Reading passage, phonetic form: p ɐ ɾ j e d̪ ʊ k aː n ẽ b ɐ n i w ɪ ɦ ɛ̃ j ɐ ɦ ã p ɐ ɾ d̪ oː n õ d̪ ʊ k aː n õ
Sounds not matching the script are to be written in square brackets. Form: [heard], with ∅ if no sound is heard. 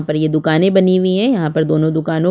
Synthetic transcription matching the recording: p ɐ ɾ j e d̪ ʊ k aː n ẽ b ɐ n i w [i] ɦ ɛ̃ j ɐ ɦ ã p ɐ ɾ d̪ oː n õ d̪ ʊ k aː n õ